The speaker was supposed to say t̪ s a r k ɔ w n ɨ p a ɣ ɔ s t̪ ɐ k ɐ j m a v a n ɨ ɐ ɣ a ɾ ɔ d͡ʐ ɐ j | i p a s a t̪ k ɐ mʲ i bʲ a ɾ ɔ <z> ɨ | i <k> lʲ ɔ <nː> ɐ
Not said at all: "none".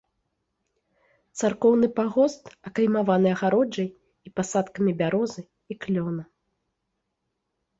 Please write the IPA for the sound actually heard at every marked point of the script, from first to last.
z, k, n

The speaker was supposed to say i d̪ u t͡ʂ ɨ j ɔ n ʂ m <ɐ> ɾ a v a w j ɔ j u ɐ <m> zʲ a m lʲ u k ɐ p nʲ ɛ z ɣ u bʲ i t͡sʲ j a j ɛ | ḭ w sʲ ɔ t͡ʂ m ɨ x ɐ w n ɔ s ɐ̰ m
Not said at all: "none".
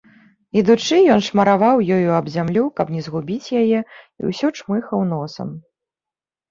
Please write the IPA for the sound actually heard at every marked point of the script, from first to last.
ɐ, b

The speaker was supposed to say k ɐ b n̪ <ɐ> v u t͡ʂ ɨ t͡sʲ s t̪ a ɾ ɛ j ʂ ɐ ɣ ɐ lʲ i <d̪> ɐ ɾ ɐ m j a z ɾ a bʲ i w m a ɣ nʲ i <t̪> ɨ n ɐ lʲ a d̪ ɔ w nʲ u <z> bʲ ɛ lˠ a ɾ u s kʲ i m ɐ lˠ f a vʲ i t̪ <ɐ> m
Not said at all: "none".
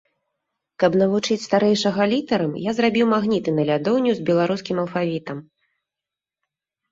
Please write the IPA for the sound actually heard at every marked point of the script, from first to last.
ɐ, t̪, t̪, z, ɐ

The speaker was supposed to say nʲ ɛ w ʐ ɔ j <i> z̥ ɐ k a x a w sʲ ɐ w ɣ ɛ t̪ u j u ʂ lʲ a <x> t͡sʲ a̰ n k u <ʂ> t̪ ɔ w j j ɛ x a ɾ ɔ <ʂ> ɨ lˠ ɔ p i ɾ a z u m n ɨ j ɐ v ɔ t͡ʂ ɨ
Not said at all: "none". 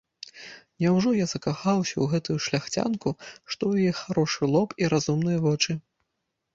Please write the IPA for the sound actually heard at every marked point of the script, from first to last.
a, x, ʂ, ʂ

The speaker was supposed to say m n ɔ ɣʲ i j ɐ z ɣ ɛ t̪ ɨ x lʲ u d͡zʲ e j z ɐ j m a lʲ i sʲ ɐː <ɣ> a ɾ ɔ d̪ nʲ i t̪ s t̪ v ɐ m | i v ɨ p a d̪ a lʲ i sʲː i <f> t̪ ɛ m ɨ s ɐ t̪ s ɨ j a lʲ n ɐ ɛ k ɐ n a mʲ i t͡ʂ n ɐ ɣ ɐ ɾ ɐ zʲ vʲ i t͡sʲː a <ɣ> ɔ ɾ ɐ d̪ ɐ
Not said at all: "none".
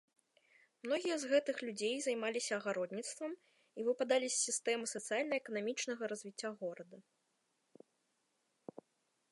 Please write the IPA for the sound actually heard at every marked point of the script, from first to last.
ɣ, s, ɣ

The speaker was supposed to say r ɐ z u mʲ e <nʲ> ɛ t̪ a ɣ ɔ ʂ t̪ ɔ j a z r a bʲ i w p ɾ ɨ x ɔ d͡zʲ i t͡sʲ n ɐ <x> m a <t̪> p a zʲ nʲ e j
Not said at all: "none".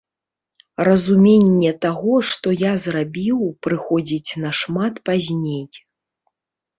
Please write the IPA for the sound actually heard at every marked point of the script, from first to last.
nʲː, ʂ, t̪

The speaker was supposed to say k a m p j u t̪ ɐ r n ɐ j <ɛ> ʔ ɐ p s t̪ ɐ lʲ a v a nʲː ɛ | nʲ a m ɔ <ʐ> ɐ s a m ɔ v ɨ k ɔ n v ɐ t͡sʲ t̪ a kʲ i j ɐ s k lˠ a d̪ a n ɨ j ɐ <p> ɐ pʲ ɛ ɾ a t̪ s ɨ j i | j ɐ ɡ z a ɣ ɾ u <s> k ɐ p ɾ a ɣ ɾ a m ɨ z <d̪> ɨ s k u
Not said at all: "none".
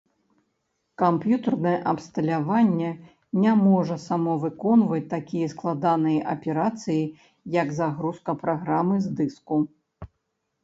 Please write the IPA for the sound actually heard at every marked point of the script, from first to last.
ɛ, ʐ, ʔ, s, d̪

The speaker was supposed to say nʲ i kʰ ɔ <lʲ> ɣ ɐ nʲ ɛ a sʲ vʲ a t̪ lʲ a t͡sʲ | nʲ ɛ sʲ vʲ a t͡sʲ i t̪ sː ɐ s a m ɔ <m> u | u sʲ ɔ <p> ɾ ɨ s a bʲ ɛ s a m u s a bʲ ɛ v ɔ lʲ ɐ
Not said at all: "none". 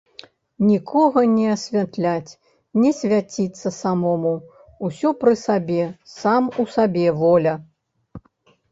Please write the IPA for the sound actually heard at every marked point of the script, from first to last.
none, m, p

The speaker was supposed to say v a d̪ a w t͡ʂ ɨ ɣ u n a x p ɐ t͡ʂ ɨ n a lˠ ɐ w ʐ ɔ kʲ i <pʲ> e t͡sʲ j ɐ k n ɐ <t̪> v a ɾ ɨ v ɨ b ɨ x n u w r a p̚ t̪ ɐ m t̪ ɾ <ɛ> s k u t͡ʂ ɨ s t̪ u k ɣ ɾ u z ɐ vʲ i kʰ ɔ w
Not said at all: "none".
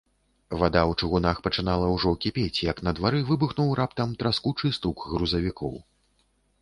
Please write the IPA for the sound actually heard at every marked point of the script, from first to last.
pʲ, d̪, a

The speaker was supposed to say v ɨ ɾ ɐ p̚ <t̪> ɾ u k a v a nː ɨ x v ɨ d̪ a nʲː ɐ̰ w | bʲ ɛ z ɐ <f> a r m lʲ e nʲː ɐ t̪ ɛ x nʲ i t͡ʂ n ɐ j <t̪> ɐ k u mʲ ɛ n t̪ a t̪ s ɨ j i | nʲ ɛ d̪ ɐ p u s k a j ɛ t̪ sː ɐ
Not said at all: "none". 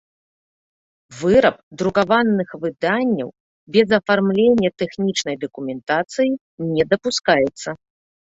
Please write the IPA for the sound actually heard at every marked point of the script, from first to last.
d̪, f, d̪

